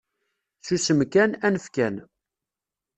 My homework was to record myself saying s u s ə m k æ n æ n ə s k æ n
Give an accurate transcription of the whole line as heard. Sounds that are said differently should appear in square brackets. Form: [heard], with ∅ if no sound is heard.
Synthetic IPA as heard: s u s ə m k æ n æ n ə [f] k æ n